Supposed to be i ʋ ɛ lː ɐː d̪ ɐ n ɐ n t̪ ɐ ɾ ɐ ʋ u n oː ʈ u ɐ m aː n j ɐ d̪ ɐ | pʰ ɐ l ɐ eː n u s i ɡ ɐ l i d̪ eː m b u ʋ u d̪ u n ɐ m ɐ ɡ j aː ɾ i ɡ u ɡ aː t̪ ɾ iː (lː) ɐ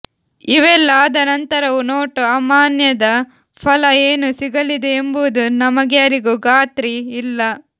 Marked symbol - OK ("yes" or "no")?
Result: yes